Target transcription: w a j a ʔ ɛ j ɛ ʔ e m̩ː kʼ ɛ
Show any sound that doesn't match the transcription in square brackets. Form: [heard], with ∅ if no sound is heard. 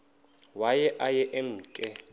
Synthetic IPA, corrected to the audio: w a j [ɛ] ʔ [a] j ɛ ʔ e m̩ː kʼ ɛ